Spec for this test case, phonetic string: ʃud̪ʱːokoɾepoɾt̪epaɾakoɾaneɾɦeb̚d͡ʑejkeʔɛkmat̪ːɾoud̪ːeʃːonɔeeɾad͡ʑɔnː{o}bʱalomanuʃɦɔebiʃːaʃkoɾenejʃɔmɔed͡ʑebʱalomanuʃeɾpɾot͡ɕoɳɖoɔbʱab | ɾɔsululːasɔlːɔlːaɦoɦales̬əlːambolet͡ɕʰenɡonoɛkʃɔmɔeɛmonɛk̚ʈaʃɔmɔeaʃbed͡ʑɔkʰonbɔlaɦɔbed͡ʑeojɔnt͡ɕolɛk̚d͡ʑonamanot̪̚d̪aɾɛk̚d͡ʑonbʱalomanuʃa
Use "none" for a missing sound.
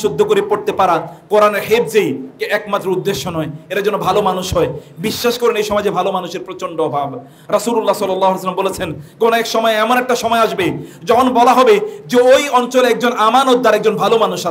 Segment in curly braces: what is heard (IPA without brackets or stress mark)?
o